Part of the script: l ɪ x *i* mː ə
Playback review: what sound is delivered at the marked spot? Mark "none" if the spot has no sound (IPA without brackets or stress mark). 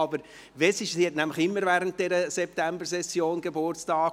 ɪ